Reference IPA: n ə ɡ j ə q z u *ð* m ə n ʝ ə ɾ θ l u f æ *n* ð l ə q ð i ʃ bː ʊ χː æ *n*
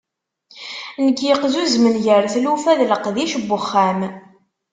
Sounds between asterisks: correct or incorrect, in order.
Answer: incorrect: z, incorrect: none, incorrect: m

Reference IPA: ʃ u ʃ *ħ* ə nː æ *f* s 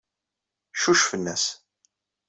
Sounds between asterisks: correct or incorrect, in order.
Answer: incorrect: f, incorrect: none

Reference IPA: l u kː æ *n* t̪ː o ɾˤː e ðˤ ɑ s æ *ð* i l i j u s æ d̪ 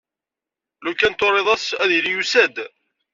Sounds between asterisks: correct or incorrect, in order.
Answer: correct, correct

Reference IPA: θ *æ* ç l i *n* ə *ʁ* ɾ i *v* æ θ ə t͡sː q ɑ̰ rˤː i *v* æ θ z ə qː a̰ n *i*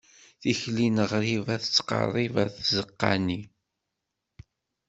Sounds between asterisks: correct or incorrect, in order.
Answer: incorrect: i, correct, correct, correct, correct, correct

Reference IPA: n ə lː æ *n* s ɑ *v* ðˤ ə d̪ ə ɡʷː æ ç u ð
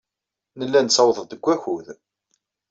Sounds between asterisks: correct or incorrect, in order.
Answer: correct, incorrect: w

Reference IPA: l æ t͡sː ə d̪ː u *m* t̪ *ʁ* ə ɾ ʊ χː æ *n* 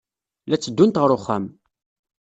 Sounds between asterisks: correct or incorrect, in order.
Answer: incorrect: n, correct, incorrect: m

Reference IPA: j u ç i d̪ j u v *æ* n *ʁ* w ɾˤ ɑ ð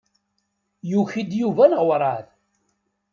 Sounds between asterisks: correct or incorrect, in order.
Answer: correct, correct

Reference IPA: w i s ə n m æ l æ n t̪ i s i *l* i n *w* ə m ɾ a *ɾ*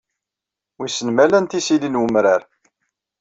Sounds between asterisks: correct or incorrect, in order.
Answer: correct, correct, correct

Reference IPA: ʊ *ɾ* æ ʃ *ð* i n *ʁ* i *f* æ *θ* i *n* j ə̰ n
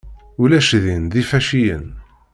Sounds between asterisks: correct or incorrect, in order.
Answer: incorrect: l, correct, incorrect: ð, correct, incorrect: ʃ, incorrect: none

